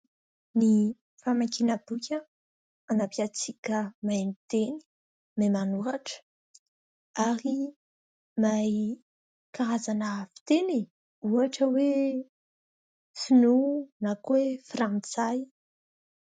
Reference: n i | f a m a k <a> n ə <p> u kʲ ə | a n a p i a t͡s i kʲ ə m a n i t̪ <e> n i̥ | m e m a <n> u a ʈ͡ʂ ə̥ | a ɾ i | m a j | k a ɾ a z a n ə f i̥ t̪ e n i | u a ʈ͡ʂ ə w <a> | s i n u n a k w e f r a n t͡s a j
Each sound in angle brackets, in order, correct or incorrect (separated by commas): incorrect, incorrect, correct, correct, incorrect